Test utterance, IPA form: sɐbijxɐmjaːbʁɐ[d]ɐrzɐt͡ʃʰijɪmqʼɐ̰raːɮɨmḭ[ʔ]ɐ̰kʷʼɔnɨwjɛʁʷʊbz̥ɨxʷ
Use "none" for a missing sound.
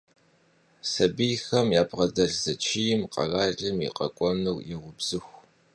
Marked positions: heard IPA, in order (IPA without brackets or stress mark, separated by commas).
d, q